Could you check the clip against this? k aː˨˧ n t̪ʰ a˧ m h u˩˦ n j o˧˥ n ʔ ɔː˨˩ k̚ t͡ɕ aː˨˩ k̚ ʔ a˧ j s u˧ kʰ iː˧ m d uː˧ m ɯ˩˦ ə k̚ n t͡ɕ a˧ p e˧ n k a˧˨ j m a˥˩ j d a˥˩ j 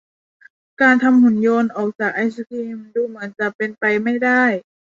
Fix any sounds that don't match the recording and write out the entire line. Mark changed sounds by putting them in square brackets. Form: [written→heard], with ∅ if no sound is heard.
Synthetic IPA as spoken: k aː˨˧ n t̪ʰ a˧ m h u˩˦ n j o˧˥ n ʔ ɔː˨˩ k̚ t͡ɕ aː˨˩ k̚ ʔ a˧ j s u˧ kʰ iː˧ m d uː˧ m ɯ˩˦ ə [k̚→∅] n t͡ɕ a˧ p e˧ n [k→p] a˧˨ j m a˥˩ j d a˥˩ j